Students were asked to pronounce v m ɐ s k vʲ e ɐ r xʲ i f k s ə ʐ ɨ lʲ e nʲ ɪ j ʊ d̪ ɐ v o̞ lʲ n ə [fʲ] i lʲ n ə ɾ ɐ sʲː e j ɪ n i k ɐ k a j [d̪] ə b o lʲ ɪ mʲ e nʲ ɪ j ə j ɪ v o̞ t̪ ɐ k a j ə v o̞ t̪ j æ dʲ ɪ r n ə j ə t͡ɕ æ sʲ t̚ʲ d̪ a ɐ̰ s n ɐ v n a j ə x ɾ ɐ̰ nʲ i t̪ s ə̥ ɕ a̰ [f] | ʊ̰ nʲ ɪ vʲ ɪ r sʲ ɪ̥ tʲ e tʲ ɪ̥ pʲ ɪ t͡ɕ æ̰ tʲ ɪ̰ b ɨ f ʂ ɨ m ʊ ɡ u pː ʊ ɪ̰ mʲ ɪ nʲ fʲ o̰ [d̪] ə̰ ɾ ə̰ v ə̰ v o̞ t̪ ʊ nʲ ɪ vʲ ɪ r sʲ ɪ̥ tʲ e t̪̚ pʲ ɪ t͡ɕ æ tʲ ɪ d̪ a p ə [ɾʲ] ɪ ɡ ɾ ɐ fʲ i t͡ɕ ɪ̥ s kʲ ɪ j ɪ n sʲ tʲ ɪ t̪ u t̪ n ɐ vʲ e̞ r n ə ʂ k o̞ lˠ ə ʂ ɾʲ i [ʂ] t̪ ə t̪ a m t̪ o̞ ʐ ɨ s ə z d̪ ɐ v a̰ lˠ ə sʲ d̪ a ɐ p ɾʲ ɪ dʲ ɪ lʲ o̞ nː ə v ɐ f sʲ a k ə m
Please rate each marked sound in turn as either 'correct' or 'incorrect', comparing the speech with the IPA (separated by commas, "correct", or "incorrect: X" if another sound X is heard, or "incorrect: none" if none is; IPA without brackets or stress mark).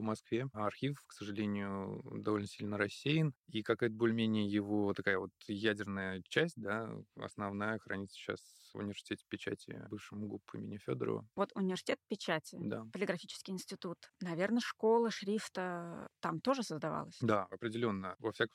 incorrect: sʲ, incorrect: t̪, incorrect: s, correct, incorrect: lʲ, incorrect: f